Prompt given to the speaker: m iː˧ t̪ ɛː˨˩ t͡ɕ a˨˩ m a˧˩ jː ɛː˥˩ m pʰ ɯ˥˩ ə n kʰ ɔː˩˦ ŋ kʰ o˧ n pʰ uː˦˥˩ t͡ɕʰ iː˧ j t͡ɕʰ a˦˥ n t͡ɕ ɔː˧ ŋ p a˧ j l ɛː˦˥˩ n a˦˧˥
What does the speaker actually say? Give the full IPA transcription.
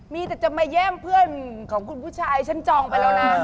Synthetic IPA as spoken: m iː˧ t̪ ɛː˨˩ t͡ɕ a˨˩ m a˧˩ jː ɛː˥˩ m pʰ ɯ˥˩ ə n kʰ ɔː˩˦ ŋ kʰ u˧ n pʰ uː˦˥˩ t͡ɕʰ aː˧ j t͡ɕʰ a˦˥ n t͡ɕ ɔː˧ ŋ p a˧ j l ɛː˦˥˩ n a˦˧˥

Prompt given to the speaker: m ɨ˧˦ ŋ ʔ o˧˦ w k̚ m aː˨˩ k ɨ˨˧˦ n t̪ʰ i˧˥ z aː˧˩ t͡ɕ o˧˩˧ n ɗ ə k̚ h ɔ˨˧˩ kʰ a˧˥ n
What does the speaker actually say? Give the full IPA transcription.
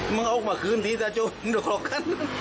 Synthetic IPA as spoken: m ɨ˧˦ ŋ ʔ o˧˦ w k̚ m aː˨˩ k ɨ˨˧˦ n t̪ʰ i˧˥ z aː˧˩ t͡ɕ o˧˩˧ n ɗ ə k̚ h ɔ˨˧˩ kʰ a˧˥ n

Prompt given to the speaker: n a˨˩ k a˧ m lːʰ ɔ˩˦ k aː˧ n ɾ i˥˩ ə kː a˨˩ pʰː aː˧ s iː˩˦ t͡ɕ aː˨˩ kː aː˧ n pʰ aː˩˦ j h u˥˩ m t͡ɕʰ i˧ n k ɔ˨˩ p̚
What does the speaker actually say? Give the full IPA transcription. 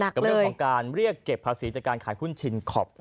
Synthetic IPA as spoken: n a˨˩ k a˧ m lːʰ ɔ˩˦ k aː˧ n ɾ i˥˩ ə kː e˨˩ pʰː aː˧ s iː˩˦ t͡ɕ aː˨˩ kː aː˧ n kʰ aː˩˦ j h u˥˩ n t͡ɕʰ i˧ n kʰ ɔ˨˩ p̚

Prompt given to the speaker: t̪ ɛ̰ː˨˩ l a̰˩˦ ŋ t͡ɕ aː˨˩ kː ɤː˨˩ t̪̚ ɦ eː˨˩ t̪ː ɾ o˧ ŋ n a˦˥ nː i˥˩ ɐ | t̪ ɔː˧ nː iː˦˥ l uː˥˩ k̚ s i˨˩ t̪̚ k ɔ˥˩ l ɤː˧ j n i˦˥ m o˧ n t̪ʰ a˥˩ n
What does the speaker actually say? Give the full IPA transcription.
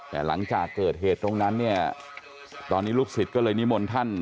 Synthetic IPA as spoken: t̪ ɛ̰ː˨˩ l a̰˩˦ ŋ t͡ɕ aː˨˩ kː ɤː˨˩ t̪̚ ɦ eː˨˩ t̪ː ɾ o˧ ŋ n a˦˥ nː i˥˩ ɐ | t̪ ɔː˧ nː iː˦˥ l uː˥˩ k̚ s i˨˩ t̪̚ k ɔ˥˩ l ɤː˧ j n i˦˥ m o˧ n t̪ʰ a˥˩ n

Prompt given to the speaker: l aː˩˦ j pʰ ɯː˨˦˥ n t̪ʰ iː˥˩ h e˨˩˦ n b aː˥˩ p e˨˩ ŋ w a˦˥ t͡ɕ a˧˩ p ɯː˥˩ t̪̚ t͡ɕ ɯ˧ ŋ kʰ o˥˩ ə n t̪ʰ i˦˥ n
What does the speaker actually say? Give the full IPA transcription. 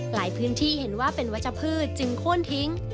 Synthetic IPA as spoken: l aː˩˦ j pʰ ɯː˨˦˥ n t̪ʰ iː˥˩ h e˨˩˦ n w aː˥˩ p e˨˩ n w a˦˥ t͡ɕ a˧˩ pʰ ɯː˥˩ t̪̚ t͡ɕ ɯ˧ ŋ kʰ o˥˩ ə n t̪ʰ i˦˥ ŋ

